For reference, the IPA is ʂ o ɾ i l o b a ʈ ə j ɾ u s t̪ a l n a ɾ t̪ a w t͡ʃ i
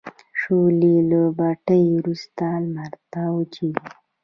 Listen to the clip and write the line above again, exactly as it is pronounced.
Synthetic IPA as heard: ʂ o l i l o b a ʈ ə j ɾ u s t̪ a l m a ɾ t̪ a w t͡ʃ i